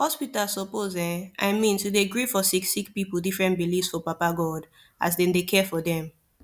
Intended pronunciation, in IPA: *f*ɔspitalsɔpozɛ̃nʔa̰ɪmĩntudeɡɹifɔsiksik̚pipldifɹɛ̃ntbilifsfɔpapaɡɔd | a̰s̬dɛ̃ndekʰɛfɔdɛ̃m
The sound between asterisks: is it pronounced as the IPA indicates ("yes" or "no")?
no